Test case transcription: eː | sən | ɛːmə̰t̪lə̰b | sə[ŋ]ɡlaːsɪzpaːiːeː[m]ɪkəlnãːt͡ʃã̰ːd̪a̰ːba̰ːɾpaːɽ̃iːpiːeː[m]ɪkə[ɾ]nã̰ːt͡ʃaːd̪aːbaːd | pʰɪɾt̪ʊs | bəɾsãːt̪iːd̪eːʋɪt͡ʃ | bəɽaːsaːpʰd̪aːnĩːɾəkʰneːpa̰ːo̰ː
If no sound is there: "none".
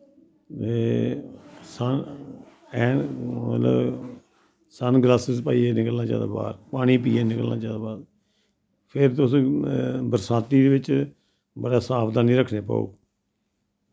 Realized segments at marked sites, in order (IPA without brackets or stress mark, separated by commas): n, n, n, l